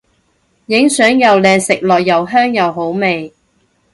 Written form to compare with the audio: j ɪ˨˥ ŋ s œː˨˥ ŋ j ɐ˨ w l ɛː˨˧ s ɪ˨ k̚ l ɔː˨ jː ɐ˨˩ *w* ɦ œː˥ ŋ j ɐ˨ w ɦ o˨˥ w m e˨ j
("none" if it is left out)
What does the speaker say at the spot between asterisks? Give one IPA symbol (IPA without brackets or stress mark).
w